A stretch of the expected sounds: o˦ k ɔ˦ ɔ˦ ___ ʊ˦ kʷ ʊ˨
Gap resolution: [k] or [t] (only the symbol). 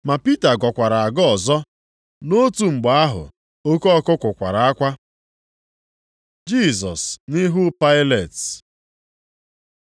k